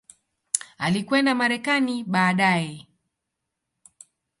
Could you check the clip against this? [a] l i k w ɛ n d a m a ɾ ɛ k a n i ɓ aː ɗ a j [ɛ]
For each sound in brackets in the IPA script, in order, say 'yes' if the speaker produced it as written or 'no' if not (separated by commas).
yes, yes